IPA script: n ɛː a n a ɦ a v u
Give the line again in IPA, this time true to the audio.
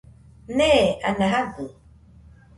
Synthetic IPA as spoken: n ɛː a n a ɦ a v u